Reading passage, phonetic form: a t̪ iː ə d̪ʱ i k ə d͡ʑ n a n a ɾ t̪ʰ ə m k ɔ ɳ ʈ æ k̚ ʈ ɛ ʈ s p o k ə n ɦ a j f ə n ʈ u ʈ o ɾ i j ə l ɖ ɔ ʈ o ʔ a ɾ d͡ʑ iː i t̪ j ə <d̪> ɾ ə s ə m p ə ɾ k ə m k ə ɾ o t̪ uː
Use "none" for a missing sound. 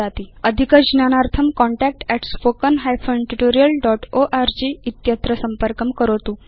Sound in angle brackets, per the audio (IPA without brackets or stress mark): t̪